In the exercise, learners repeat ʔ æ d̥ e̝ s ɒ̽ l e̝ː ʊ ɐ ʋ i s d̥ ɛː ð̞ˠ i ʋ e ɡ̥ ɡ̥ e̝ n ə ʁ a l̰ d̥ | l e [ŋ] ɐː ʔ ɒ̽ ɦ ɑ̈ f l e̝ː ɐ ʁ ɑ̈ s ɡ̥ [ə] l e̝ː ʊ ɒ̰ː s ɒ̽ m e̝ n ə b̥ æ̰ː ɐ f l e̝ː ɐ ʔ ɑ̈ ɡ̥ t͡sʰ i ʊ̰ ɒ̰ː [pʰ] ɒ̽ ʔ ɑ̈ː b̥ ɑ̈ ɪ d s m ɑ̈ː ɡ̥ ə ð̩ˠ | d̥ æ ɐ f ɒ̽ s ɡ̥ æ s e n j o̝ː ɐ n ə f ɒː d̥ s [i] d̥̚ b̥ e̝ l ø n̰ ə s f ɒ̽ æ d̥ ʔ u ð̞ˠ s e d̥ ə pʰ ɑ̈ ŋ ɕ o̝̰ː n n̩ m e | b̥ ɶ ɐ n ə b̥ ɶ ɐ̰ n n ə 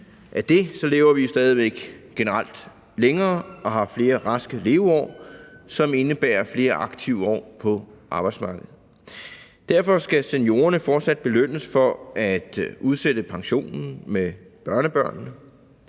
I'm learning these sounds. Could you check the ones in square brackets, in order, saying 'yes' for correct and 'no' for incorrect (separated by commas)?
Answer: yes, yes, yes, no